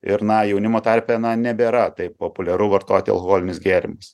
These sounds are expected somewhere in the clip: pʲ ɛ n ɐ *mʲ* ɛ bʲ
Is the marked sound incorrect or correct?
incorrect